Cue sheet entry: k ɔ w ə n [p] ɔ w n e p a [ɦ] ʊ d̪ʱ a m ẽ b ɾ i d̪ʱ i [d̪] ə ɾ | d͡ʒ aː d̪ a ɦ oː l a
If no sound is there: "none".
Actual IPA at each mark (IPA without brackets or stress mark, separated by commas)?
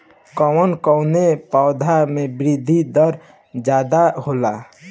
k, none, d̪